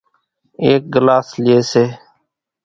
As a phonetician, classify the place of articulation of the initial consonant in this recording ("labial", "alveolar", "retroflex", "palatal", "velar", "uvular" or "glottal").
velar